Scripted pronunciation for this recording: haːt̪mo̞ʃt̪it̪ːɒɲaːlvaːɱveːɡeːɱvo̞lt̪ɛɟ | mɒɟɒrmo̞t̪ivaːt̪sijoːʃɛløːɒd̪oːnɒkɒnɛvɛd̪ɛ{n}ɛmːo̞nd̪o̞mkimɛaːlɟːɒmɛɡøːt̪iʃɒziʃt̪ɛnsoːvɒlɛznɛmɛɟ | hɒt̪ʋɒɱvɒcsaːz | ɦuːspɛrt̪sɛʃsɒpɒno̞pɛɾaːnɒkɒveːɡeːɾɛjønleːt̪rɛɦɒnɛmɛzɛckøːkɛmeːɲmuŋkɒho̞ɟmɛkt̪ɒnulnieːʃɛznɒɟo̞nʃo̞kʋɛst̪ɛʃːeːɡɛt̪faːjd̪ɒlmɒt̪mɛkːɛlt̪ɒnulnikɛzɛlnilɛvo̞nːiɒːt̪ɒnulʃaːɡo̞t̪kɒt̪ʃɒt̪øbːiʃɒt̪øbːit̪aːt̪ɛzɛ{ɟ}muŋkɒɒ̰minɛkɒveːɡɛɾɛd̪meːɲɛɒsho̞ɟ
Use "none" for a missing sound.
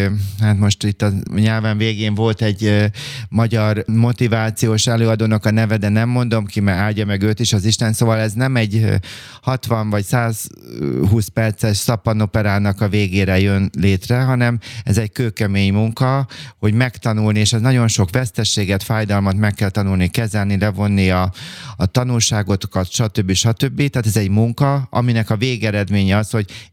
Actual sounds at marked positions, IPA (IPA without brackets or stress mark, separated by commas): n, ɟ